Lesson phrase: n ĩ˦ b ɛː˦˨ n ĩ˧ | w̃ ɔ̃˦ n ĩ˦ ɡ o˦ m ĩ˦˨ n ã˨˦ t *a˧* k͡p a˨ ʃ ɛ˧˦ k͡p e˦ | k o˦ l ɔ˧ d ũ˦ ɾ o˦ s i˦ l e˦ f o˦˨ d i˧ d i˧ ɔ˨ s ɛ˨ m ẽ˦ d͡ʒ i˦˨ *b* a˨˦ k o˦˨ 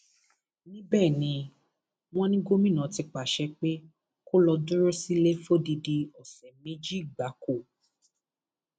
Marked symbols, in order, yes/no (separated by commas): no, no